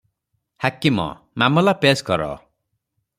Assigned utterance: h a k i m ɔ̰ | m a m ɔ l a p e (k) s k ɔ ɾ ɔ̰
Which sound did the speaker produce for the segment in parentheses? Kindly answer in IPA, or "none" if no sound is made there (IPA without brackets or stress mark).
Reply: none